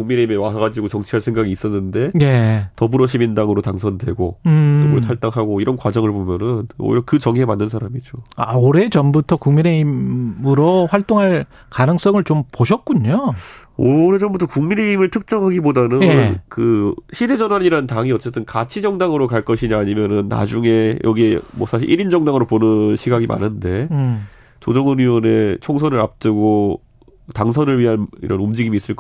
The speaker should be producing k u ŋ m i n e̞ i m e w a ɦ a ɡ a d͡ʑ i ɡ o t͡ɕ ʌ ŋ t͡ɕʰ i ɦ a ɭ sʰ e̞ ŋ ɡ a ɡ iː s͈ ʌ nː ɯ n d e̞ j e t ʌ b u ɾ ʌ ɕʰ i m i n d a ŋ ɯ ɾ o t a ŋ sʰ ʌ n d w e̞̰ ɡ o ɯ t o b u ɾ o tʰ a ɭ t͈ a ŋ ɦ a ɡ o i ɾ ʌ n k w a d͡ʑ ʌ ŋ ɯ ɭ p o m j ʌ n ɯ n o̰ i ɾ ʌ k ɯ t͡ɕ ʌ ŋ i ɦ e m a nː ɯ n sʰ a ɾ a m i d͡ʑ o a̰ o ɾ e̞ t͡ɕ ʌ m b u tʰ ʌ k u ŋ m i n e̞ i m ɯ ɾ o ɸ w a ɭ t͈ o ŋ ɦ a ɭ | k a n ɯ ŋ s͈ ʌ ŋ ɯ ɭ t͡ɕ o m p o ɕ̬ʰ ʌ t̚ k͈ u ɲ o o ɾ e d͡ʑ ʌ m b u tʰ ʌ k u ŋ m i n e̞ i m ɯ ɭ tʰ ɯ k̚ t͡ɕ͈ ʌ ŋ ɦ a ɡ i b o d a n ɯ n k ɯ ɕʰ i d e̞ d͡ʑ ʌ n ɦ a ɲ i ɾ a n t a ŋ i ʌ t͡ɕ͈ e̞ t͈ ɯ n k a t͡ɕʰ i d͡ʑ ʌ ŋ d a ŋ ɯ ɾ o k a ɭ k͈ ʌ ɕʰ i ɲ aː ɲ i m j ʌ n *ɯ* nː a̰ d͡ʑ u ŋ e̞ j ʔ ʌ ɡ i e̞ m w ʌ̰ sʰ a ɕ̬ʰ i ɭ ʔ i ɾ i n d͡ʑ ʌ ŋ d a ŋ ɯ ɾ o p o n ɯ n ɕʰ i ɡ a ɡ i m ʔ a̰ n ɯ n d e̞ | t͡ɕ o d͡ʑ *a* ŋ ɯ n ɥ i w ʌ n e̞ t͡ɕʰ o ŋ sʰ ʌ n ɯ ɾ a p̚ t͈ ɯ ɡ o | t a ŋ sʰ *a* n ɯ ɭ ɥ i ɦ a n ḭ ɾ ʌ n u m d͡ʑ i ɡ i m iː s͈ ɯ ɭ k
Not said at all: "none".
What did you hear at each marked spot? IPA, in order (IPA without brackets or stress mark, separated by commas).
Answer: ɯ, ʌ, ʌ